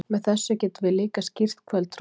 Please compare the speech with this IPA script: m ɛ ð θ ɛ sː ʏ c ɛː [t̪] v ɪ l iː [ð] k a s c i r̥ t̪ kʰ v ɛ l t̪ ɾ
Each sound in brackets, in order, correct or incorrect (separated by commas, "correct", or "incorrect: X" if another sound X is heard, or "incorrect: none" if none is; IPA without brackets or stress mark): correct, incorrect: none